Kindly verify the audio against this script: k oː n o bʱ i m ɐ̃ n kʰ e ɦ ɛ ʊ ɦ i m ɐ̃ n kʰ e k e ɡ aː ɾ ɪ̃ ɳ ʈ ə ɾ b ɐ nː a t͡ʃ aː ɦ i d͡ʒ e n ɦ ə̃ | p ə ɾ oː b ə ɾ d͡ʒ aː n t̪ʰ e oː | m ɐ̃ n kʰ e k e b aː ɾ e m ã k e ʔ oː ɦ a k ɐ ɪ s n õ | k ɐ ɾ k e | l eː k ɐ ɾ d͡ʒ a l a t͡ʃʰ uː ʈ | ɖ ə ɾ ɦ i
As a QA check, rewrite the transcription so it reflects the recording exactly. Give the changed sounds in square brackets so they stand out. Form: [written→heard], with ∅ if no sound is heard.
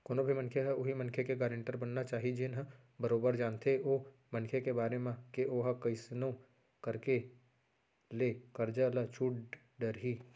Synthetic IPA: k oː n o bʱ i m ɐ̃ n kʰ e ɦ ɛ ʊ ɦ i m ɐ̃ n kʰ e k e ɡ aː ɾ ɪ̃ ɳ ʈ ə ɾ b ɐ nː a t͡ʃ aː ɦ i d͡ʒ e n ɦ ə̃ | [p→b] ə ɾ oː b ə ɾ d͡ʒ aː n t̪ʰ e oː | m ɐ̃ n kʰ e k e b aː ɾ e m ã k e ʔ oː ɦ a k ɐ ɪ s n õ | k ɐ ɾ k e | l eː k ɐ ɾ d͡ʒ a l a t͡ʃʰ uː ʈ | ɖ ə ɾ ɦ i